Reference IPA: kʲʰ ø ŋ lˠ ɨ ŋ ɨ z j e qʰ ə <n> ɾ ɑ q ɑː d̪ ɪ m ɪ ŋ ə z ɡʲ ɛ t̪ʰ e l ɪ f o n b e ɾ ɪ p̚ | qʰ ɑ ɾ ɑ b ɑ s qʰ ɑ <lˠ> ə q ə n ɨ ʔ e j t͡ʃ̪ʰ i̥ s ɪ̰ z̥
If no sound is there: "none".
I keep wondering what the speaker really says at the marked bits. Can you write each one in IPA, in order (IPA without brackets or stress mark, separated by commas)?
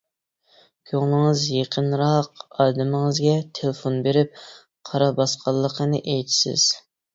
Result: n, lˠː